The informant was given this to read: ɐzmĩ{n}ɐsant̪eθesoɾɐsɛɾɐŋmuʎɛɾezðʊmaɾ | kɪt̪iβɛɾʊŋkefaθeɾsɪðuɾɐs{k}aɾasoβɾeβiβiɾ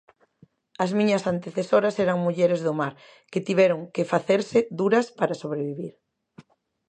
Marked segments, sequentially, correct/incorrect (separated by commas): incorrect, incorrect